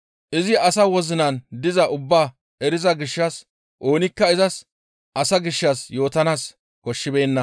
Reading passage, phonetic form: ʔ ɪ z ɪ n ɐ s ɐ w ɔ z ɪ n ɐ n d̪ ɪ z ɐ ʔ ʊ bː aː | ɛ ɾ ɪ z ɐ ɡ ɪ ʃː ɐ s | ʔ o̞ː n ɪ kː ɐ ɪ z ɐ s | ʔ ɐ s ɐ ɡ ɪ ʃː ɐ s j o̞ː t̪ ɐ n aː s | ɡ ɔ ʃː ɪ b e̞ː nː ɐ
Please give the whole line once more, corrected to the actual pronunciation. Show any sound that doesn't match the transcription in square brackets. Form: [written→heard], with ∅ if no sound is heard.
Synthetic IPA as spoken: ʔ ɪ z ɪ [n→∅] ɐ s ɐ w ɔ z ɪ n ɐ n d̪ ɪ z ɐ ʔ ʊ bː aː | ɛ ɾ ɪ z ɐ ɡ ɪ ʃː ɐ s | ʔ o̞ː n ɪ kː ɐ ɪ z ɐ s | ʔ ɐ s ɐ ɡ ɪ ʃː ɐ s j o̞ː t̪ ɐ n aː s | [ɡ→k] ɔ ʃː ɪ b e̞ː nː ɐ